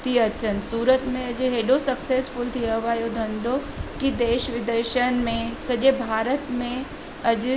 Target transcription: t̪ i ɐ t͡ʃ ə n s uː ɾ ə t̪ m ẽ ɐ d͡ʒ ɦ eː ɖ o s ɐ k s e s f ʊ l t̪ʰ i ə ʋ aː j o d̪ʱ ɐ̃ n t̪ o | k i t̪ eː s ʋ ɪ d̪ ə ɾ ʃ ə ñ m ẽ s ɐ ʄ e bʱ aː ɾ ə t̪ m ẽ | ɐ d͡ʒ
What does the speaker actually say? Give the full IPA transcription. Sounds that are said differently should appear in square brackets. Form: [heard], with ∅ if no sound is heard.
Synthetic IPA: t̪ i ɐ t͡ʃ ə n s uː ɾ ə t̪ m ẽ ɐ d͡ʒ ɦ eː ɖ o s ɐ k s e s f ʊ l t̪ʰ i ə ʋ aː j o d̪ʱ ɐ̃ n [d̪] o | k i [d̪] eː [ʃ] ʋ ɪ d̪ ə ɾ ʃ ə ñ m ẽ s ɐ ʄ e bʱ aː ɾ ə t̪ m ẽ | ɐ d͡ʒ